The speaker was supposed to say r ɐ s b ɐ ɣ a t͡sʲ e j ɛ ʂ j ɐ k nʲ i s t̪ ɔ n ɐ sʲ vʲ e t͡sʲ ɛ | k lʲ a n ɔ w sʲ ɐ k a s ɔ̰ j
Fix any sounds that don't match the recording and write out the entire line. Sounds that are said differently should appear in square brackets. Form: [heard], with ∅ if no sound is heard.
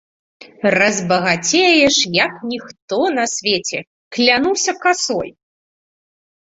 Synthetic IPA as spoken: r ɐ [z] b ɐ ɣ a t͡sʲ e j ɛ ʂ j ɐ k nʲ i [x] t̪ ɔ n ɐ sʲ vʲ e t͡sʲ ɛ | k lʲ a n [u] w sʲ ɐ k a s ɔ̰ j